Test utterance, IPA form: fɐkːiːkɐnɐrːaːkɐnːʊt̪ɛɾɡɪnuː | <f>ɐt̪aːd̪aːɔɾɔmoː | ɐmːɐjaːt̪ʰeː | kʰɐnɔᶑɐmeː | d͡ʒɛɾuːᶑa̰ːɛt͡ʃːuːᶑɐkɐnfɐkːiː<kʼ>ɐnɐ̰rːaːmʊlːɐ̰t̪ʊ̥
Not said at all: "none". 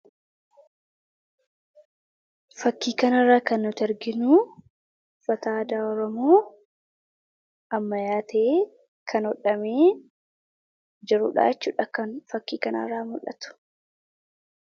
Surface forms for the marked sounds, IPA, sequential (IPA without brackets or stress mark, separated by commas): f, k